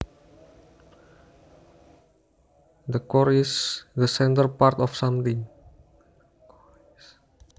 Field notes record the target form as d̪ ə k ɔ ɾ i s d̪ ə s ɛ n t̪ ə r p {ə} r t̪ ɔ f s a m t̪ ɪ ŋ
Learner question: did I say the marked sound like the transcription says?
no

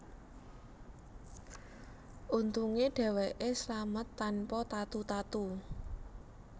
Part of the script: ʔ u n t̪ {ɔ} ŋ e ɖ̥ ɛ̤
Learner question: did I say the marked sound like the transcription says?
no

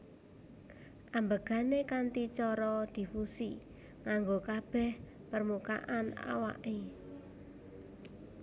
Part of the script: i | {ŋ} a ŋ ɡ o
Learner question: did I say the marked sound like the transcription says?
yes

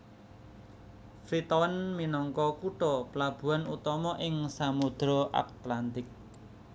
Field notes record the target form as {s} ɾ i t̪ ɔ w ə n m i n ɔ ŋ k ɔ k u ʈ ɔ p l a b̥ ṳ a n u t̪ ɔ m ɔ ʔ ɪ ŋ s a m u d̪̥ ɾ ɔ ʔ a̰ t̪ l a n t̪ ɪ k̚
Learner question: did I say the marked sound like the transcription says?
no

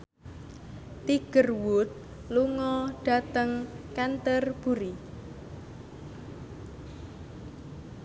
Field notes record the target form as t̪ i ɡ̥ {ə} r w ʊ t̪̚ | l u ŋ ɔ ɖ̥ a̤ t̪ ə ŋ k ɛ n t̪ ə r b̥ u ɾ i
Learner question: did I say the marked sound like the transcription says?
yes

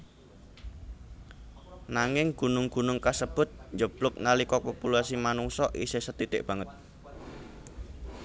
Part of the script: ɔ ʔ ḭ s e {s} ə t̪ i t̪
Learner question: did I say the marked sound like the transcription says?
yes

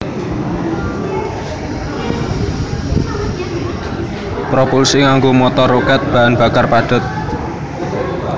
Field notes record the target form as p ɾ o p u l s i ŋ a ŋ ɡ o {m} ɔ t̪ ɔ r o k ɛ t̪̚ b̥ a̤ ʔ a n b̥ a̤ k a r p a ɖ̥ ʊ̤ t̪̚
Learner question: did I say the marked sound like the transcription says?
yes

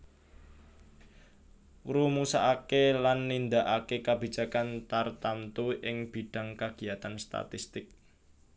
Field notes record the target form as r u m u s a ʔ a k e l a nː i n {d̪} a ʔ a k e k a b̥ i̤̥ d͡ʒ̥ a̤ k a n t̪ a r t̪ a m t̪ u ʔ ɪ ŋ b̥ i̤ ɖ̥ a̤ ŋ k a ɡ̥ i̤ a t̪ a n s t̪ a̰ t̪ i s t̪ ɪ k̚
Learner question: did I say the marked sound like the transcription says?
yes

